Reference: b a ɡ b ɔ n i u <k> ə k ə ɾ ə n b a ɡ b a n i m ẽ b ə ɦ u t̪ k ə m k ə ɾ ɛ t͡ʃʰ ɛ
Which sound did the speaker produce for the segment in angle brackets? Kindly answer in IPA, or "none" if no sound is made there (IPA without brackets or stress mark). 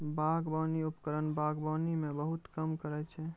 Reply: p